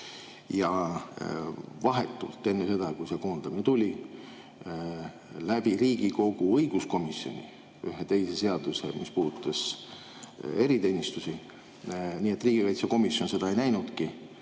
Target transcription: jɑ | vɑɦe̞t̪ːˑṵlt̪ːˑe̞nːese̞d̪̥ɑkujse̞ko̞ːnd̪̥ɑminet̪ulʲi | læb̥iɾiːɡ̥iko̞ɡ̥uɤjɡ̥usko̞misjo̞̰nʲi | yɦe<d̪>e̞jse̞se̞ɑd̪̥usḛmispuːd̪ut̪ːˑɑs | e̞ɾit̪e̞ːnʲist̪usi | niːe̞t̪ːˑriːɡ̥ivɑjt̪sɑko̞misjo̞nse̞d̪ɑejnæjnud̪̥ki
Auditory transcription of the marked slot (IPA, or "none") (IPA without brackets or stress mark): t̪